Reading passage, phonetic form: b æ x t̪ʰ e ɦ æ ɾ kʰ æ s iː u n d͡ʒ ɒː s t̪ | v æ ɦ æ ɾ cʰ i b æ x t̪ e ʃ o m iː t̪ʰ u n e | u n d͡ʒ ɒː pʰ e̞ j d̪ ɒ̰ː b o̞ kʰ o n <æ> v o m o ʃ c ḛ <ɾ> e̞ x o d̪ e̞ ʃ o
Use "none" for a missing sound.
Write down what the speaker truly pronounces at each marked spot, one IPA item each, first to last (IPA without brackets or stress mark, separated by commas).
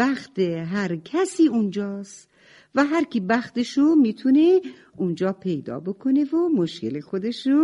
e, l